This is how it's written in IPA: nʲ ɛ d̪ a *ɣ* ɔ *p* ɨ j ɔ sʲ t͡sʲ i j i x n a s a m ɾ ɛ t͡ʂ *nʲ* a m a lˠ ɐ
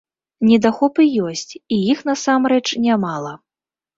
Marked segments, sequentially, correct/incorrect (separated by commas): incorrect, correct, correct